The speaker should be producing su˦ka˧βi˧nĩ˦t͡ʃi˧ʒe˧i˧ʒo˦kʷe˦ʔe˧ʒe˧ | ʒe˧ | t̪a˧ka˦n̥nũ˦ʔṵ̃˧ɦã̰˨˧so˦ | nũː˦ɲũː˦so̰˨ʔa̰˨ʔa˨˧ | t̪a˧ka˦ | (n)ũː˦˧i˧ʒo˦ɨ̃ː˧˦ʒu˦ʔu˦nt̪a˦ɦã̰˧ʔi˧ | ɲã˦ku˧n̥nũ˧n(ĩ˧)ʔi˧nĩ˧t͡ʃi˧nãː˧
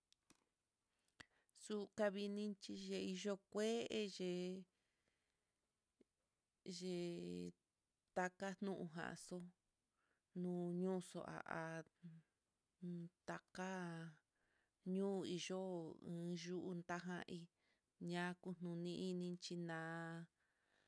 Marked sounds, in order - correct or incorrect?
incorrect: ɲ, correct

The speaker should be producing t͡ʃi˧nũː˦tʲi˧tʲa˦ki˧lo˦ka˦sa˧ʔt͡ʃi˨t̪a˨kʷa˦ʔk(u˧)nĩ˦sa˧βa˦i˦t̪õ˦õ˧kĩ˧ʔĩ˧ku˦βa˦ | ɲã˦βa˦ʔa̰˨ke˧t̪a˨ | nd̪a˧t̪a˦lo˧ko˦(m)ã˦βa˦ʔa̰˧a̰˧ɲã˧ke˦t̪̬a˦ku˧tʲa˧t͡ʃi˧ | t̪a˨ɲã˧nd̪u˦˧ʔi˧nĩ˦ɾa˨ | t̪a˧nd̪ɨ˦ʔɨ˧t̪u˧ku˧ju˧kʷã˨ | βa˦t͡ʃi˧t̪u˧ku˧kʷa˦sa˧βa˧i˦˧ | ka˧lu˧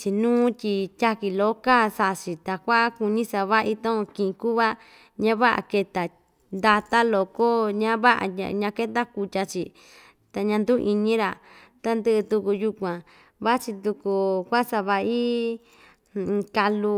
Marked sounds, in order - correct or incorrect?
correct, incorrect: ɲ

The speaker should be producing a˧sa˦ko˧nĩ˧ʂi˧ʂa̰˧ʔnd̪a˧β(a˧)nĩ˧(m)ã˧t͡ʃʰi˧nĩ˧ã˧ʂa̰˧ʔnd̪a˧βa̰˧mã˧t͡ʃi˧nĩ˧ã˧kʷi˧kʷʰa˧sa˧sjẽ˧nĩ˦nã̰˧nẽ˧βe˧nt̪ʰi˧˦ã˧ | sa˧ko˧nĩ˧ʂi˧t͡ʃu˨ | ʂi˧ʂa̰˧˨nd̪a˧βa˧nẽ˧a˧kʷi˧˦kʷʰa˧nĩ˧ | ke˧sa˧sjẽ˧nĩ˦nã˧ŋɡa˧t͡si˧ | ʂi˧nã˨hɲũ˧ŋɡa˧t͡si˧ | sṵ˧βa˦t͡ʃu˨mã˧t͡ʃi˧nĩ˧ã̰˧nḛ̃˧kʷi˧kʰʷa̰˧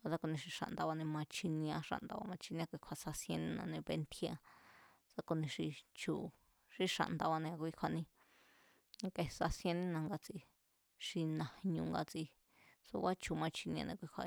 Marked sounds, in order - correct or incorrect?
correct, correct

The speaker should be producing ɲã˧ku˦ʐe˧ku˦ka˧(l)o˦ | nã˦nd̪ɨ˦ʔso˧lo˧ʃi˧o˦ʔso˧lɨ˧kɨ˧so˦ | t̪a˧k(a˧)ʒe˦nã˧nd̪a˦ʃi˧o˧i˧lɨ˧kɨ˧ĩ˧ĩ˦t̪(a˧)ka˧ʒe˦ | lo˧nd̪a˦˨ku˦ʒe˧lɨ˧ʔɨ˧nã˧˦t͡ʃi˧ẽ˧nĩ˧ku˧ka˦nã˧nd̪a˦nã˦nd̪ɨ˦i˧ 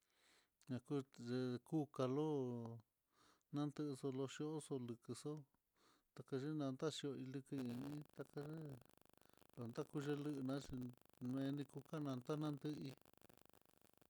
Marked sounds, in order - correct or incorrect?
correct, correct, correct

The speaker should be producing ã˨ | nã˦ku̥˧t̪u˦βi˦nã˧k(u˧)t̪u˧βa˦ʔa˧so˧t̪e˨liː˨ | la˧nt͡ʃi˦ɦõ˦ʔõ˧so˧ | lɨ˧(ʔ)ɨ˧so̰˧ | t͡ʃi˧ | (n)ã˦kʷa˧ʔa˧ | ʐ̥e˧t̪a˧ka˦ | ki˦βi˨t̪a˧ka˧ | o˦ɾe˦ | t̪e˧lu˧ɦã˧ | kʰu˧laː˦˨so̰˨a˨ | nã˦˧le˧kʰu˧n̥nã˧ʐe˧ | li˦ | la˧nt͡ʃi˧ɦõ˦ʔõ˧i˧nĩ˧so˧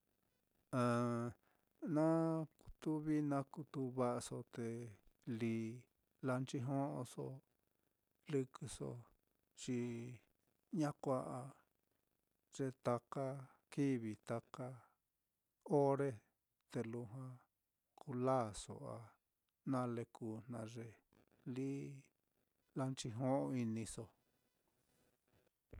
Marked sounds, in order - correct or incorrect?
correct, incorrect: k, incorrect: ɲ

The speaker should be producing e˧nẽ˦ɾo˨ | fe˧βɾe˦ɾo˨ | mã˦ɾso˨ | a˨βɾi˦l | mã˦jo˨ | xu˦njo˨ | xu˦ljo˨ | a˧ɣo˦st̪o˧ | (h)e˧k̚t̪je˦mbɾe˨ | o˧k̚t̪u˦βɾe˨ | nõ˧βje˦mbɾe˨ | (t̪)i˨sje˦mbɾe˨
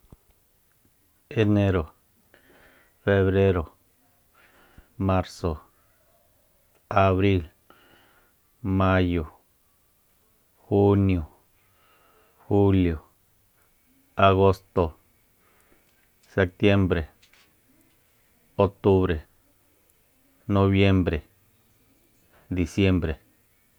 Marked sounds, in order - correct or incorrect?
incorrect: s, incorrect: d̪

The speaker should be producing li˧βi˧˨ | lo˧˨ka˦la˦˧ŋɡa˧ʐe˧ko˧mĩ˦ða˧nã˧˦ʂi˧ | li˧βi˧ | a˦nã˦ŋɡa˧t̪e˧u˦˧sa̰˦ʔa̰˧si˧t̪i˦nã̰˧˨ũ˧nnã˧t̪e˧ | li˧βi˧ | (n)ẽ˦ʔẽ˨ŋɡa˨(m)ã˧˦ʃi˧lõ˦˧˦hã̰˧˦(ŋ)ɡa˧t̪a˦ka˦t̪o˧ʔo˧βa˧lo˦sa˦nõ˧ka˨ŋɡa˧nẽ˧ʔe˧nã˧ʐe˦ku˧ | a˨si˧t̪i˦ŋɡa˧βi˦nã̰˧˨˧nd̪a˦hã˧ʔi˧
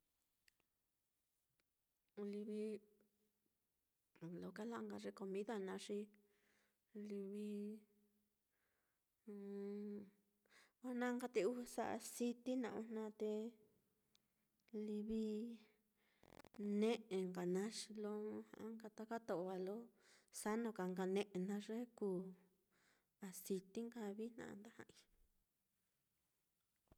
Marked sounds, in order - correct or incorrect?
correct, incorrect: n, correct

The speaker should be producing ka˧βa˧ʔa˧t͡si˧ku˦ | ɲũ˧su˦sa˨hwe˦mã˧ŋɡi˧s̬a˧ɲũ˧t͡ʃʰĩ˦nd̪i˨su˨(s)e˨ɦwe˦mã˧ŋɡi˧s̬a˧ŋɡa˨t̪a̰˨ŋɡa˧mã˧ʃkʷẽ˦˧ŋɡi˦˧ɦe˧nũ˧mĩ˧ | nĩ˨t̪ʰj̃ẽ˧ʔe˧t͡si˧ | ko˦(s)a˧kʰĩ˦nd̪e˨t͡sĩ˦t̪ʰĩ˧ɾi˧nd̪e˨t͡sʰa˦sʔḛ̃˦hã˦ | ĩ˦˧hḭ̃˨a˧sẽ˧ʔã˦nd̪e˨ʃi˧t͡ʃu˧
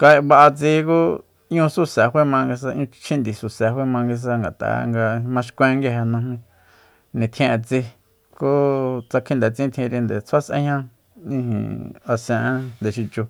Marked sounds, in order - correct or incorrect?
correct, incorrect: t͡s

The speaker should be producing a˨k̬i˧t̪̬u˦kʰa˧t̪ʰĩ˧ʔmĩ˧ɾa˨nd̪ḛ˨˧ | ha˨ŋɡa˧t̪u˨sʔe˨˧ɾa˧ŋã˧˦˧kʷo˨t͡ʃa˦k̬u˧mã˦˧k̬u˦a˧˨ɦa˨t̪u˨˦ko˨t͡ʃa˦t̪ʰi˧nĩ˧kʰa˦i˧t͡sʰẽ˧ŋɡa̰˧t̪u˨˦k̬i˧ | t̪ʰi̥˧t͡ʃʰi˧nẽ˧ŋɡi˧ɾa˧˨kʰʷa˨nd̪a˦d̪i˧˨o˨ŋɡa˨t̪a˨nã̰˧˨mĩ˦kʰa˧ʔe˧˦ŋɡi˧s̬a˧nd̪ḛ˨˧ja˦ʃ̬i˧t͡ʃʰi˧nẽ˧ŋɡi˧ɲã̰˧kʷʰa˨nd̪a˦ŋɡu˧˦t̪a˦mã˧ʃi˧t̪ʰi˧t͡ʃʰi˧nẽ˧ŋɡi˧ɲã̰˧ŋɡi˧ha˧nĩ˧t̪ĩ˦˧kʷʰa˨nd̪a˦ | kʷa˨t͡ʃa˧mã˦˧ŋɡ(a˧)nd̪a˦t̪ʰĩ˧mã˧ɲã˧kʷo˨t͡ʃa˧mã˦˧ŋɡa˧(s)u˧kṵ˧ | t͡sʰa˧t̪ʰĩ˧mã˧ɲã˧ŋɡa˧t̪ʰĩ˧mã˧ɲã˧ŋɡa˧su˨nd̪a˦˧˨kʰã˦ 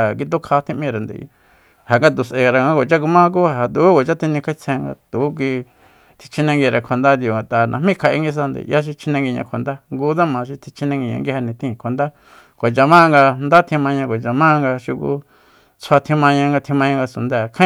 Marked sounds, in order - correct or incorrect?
correct, incorrect: ʃ

